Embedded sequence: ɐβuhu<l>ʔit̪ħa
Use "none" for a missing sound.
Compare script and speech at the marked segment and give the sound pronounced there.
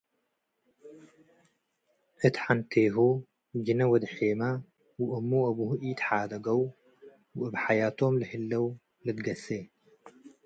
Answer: none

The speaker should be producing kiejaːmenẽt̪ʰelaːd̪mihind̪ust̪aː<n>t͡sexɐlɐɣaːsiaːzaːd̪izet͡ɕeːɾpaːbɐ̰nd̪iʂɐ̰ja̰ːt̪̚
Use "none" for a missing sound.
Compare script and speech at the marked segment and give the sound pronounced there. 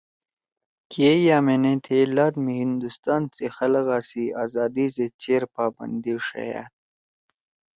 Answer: n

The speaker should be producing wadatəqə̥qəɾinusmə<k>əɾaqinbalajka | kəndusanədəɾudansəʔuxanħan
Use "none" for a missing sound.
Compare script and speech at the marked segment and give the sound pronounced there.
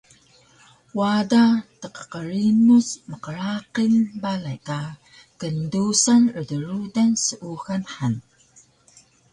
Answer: q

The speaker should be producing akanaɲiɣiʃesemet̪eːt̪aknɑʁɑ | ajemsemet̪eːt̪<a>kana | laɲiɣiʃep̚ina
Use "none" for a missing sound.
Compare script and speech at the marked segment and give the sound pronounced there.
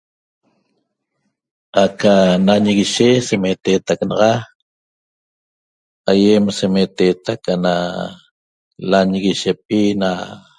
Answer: a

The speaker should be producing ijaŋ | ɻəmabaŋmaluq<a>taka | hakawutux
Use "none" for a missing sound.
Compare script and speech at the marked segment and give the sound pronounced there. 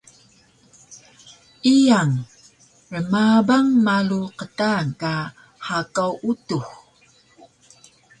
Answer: ə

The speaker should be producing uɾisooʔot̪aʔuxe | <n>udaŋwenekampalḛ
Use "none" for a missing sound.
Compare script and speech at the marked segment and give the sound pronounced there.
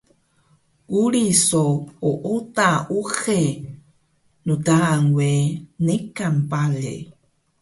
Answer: n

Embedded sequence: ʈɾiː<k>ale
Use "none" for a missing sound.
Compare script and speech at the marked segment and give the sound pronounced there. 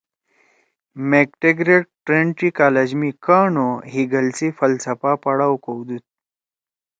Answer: k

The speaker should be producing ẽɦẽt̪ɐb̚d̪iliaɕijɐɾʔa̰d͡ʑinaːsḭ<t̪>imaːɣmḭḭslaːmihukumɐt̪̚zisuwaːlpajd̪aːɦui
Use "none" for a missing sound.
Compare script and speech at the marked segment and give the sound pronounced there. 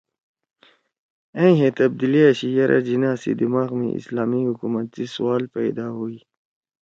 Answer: d̪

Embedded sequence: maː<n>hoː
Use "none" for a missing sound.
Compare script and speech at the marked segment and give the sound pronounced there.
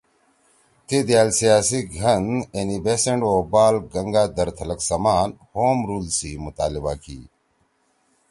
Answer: n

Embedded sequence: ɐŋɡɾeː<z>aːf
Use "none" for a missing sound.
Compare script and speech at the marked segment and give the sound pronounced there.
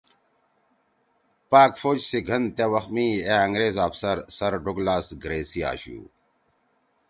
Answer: z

